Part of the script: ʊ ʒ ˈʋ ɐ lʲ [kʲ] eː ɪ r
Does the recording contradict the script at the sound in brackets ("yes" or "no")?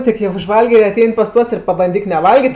yes